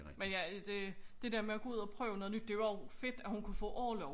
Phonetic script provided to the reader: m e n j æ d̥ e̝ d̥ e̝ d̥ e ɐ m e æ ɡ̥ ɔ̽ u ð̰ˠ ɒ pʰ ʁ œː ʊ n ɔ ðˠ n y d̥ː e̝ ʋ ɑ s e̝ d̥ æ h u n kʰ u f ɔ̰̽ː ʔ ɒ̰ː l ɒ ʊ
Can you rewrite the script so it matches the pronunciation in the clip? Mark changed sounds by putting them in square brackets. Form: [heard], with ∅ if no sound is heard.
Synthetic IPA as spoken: m e n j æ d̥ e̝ d̥ e̝ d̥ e ɐ m e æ ɡ̥ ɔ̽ u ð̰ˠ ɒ pʰ ʁ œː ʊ n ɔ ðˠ n y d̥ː e̝ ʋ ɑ [f] e̝ d̥ æ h u n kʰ u f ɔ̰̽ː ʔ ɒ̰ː l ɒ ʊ